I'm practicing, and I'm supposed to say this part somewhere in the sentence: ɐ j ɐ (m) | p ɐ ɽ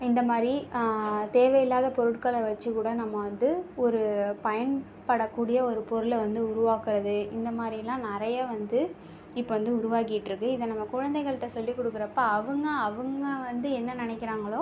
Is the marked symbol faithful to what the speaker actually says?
no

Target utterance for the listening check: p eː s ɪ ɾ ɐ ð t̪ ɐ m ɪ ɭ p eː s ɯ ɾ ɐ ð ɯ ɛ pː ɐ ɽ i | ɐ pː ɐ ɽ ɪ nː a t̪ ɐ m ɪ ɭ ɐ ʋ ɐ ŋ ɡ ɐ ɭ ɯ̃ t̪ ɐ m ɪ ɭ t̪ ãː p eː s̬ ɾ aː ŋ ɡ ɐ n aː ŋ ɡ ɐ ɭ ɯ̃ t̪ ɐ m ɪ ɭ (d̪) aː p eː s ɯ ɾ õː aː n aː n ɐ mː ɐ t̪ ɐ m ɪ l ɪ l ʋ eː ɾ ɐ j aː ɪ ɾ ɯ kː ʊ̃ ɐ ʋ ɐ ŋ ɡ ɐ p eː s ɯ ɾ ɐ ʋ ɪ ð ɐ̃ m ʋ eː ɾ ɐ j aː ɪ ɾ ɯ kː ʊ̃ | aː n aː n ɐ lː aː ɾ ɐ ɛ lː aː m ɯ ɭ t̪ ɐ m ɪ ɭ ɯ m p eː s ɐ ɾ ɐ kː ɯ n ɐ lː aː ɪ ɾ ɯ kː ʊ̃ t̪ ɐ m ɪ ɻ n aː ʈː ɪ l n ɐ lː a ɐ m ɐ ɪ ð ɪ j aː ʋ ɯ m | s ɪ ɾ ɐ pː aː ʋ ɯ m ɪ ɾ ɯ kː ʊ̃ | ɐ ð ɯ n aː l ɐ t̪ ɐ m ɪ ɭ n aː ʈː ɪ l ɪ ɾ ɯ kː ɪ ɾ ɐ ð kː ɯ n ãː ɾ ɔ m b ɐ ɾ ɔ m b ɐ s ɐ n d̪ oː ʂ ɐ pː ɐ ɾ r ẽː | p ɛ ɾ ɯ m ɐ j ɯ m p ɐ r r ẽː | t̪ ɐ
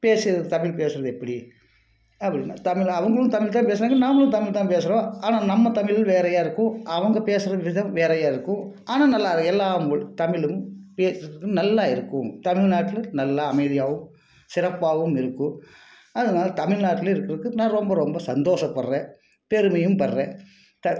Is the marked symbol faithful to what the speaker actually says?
no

